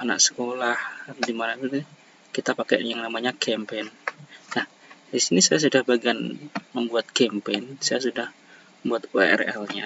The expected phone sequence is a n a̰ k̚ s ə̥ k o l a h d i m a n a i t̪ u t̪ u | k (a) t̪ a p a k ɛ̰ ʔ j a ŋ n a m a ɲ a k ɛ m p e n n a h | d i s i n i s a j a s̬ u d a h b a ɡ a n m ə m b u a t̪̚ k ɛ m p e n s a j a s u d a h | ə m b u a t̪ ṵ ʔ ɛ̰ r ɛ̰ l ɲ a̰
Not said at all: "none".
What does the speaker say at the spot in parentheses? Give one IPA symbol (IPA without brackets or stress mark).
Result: i